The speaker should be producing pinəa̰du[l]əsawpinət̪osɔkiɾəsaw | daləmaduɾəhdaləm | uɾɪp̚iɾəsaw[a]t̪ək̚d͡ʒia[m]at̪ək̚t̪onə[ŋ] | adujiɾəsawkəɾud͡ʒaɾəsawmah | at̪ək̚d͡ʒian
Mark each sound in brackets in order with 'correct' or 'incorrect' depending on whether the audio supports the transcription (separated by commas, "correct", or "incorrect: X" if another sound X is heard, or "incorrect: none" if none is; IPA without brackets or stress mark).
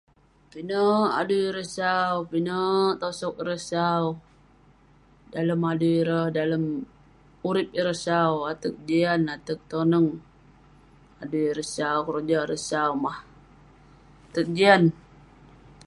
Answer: incorrect: ɾ, correct, incorrect: n, correct